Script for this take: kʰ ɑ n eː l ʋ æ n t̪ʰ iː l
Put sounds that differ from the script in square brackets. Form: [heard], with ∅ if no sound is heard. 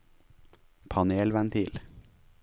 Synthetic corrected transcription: [pʰ] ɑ n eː l ʋ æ n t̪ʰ iː l